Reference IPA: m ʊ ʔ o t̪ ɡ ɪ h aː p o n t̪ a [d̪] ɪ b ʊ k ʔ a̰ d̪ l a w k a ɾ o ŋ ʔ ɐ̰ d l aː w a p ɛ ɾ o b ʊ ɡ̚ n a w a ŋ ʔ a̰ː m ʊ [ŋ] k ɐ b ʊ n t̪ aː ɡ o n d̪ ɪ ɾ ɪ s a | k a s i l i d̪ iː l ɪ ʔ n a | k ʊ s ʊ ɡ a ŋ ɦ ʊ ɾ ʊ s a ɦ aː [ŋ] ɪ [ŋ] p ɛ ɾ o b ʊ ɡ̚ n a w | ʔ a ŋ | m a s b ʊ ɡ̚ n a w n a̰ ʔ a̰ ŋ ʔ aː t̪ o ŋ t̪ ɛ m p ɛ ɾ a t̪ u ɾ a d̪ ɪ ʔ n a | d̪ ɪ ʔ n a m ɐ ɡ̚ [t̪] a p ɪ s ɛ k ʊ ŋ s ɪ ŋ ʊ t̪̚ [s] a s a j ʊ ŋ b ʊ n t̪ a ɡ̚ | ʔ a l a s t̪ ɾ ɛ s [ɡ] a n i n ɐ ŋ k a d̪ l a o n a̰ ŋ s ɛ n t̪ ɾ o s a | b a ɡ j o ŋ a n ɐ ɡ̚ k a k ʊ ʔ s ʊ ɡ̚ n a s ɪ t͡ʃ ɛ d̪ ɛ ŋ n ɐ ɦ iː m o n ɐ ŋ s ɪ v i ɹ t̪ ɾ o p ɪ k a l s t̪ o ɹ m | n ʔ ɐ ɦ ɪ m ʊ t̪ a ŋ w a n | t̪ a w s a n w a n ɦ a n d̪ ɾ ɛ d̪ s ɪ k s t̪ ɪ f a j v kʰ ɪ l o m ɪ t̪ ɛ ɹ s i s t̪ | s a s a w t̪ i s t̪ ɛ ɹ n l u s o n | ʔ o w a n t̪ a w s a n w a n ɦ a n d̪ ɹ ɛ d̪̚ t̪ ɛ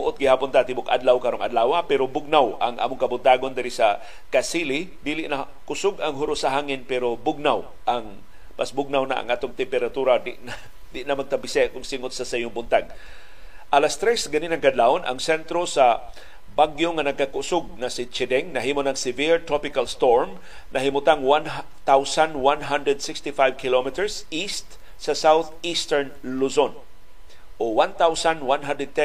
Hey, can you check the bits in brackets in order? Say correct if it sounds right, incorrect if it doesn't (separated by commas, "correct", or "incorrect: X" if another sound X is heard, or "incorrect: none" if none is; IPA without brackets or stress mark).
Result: incorrect: t̪, correct, correct, incorrect: n, correct, correct, correct